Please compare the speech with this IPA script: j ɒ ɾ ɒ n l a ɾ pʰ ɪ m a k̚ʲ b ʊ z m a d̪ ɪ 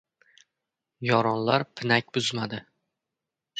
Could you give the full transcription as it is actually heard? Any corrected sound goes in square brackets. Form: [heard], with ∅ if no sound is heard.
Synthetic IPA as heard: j ɒ ɾ ɒ n l a ɾ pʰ ɪ [n] a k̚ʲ b ʊ z m a d̪ ɪ